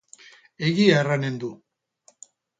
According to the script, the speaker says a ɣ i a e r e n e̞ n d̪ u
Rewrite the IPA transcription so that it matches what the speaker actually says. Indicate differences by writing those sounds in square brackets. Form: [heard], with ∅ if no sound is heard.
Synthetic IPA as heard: [e] ɣ i a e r [a] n e̞ n d̪ u